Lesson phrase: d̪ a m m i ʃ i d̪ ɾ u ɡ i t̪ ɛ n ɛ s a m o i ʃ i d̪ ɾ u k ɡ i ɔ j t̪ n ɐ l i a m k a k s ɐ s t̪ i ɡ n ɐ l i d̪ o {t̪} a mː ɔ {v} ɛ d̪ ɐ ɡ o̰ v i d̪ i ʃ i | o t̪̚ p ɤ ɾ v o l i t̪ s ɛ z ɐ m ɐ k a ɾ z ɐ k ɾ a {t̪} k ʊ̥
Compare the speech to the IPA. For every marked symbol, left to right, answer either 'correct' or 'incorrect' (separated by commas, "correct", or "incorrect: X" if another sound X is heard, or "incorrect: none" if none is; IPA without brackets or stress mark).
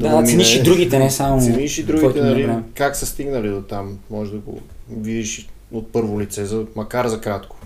correct, incorrect: ʒ, correct